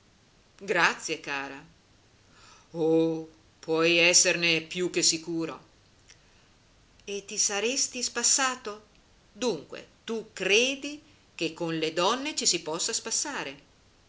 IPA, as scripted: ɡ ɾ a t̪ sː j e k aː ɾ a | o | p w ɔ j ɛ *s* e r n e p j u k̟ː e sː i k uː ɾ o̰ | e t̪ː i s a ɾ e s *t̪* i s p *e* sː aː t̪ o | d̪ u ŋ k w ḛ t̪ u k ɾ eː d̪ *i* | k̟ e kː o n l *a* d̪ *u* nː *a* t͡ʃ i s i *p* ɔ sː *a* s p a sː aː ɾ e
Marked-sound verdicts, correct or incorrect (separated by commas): incorrect, correct, incorrect, correct, incorrect, incorrect, incorrect, correct, correct